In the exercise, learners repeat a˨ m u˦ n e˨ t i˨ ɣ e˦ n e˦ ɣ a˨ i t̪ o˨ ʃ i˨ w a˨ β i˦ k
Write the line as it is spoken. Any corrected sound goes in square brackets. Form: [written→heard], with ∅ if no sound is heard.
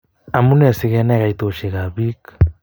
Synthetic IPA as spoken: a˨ m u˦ n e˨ [t→s] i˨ ɣ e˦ n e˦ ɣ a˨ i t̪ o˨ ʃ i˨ [w→ɣ] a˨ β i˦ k